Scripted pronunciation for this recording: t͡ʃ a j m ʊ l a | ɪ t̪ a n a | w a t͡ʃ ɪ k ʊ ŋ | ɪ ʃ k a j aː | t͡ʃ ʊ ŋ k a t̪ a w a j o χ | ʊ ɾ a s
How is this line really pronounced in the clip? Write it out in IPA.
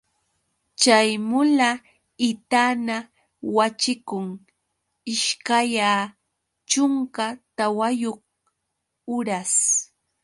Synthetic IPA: t͡ʃ a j m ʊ l a | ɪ t̪ a n a | w a t͡ʃ ɪ k ʊ ŋ | ɪ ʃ k a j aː | t͡ʃ ʊ ŋ k a t̪ a w a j o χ | ʊ ɾ a s

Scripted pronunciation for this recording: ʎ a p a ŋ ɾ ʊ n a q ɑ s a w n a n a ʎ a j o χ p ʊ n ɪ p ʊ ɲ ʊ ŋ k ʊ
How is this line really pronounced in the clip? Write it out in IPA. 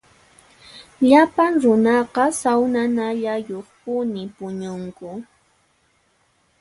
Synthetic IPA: ʎ a p a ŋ ɾ ʊ n ɑ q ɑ s a w n a n a ʎ a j o χ p ʊ n ɪ p ʊ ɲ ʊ ŋ k ʊ

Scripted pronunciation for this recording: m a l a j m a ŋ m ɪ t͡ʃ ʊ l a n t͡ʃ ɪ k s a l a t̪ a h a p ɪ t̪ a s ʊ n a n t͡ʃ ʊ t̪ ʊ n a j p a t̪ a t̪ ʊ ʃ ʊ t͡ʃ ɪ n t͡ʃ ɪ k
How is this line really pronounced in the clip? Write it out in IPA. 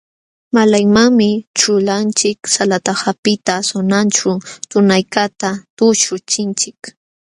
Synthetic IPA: m a l a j m a ŋ m ɪ t͡ʃ ʊ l a n t͡ʃ ɪ k s a l a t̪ a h a p ɪ t̪ a s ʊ n a n t͡ʃ ʊ t̪ ʊ n a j k a t̪ a t̪ ʊ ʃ ʊ t͡ʃ ɪ n t͡ʃ ɪ k

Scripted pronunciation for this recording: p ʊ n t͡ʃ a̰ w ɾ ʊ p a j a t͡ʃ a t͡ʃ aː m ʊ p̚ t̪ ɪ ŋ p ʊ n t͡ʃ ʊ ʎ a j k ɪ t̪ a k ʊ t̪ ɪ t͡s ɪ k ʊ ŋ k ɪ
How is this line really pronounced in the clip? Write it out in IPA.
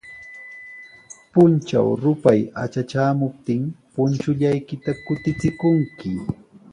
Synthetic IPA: p ʊ n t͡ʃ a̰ w ɾ ʊ p a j a t͡ʃ a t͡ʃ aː m ʊ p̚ t̪ ɪ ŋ p ʊ n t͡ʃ ʊ ʎ a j k ɪ t̪ a k ʊ t̪ ɪ t͡s ɪ k ʊ ŋ k ɪ

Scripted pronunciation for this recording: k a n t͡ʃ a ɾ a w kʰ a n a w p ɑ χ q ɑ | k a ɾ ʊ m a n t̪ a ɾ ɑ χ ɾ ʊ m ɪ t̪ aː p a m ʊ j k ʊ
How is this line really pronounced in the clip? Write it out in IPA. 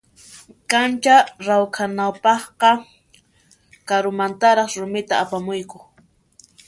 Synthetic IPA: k a n t͡ʃ a ɾ a w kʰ a n a w p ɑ χ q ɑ | k a ɾ ʊ m a n t̪ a ɾ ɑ χ ɾ ʊ m ɪ t̪ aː p a m ʊ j k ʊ

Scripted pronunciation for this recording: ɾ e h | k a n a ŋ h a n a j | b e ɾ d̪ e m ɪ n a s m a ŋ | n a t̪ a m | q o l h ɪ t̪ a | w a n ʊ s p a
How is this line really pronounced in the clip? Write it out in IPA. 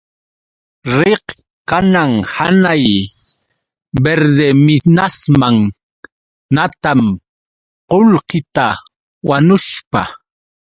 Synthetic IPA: ɾ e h | k a n a ŋ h a n a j | b e ɾ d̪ e m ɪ n a s m a ŋ | n a t̪ a m | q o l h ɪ t̪ a | w a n ʊ ʃ p a

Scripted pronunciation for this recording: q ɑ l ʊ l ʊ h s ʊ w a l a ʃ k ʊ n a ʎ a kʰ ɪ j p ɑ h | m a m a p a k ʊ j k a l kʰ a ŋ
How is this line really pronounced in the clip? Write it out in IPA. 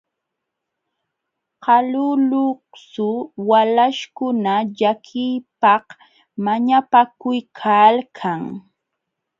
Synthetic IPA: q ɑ l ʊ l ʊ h s ʊ w a l a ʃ k ʊ n a ʎ a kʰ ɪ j p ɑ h | m a ɲ a p a k ʊ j kʰ a l kʰ a ŋ

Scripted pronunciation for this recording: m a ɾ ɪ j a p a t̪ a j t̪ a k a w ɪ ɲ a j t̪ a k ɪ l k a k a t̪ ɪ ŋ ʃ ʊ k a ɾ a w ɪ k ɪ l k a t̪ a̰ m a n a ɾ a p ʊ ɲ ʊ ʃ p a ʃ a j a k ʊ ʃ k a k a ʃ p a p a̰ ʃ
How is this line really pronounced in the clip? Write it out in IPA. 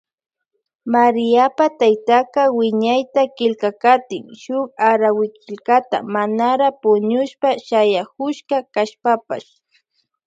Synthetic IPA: m a ɾ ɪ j a p a t̪ a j t̪ a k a w ɪ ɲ a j t̪ a k ɪ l k a k a t̪ ɪ ŋ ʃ ʊ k a ɾ a w ɪ k ɪ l k a t̪ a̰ m a n a ɾ a p ʊ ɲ ʊ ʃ p a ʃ a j a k ʊ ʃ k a k a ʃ p a p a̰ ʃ

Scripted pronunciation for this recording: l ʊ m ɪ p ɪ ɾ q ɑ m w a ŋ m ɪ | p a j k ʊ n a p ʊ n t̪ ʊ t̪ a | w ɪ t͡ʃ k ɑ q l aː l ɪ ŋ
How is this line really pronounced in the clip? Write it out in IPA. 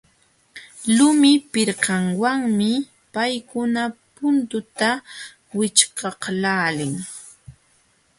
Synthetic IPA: l ʊ m ɪ p ɪ ɾ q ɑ ŋ w a ŋ m ɪ | p a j k ʊ n a p ʊ n t̪ ʊ t̪ a | w ɪ t͡ʃ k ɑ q l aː l ɪ ŋ

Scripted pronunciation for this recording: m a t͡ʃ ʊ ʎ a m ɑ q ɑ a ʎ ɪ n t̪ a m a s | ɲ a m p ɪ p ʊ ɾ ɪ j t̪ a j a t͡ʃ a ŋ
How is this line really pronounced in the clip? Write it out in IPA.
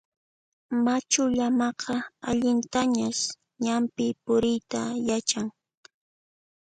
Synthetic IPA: m a t͡ʃ ʊ ʎ a m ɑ q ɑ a ʎ ɪ n t̪ a ɲ a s | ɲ a m p ɪ p ʊ ɾ ɪ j t̪ a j a t͡ʃ a ŋ

